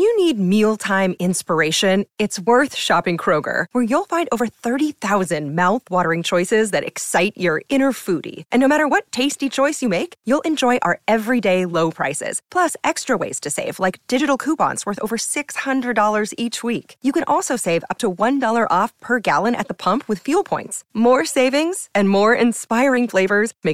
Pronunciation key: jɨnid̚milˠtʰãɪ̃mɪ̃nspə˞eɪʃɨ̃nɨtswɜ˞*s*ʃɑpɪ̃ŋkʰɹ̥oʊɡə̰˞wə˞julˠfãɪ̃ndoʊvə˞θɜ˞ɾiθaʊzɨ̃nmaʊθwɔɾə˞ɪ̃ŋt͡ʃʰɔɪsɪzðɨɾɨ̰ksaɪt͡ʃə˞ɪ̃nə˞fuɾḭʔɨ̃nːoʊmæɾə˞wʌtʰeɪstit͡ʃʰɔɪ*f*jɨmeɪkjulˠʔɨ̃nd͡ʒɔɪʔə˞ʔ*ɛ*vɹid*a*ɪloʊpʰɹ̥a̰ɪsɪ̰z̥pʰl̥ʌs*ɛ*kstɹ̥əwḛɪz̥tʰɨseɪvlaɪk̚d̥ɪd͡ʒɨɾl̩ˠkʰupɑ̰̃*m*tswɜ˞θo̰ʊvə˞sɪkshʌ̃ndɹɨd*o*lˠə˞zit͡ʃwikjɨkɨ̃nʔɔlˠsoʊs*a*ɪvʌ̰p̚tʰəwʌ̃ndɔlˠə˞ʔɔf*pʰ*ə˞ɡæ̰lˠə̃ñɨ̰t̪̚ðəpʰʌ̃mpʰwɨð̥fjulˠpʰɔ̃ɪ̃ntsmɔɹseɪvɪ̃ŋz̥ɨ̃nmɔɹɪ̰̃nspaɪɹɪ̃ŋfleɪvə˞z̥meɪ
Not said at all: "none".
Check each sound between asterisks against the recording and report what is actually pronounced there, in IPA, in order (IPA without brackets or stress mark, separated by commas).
θ, s, ɛ, e, ɛ, n, ɔ, e, pʰ